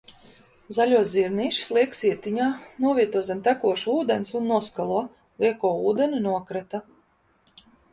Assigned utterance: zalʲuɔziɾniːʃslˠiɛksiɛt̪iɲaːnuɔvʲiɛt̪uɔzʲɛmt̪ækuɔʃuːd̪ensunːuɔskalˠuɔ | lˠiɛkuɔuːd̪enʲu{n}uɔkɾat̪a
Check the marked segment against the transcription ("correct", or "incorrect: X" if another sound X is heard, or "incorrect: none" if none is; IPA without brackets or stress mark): correct